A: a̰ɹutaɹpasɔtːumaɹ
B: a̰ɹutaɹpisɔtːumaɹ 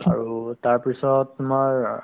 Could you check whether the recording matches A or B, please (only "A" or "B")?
B